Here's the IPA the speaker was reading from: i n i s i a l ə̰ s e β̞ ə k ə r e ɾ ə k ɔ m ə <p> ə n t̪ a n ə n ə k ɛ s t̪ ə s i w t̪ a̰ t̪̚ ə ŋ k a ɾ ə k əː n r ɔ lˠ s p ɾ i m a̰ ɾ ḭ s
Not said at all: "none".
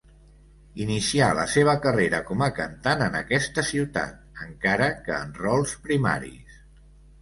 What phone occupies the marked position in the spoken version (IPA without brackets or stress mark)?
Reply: k